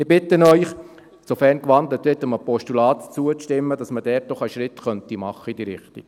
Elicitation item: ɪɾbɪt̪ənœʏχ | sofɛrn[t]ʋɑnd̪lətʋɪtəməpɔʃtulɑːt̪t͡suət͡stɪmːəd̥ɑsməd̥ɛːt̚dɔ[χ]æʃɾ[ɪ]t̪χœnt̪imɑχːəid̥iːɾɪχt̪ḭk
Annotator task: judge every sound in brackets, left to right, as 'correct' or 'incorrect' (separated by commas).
incorrect, correct, correct